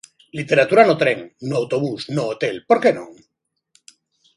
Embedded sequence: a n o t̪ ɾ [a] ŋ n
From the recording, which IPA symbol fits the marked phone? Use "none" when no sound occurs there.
e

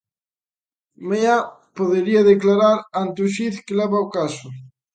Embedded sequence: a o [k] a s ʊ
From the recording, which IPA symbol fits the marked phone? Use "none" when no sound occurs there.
k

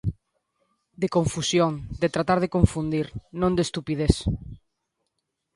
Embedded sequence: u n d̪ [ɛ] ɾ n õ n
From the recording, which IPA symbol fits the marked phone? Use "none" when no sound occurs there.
i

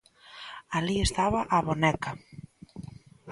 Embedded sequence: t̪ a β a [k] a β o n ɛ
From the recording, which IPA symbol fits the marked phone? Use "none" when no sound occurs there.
ʔ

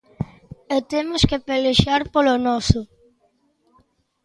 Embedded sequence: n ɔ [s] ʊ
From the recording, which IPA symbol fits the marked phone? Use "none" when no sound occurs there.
s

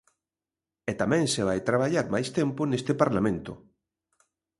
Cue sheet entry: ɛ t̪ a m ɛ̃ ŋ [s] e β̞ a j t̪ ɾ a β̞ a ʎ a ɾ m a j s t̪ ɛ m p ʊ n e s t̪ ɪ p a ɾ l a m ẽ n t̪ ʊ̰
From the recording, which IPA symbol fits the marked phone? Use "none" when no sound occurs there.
s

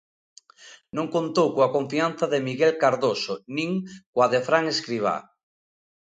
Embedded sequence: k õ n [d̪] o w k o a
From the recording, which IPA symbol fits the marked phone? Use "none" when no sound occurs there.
t̪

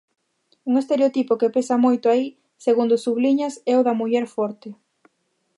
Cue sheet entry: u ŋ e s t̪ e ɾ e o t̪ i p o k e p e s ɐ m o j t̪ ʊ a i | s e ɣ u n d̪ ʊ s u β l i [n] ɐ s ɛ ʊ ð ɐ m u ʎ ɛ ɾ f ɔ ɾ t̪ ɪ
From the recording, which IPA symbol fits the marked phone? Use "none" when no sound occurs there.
ɲ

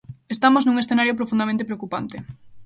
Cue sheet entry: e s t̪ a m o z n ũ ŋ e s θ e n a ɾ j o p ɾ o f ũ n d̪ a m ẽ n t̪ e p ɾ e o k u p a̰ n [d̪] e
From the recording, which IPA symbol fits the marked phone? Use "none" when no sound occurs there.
t̪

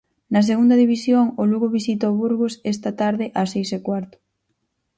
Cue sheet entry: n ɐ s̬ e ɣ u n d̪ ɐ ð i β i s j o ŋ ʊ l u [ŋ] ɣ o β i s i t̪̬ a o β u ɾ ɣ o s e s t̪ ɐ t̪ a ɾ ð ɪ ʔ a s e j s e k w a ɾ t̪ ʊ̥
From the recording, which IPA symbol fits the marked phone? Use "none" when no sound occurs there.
none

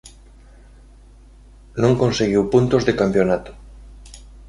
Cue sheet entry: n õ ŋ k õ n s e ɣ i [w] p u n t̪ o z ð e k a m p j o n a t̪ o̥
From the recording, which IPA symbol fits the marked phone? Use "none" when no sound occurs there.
w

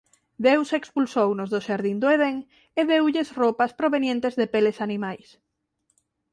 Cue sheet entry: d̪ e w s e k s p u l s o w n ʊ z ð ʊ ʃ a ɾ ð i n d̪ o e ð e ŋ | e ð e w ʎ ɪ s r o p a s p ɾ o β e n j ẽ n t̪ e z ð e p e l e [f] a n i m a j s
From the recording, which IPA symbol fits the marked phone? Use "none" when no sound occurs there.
s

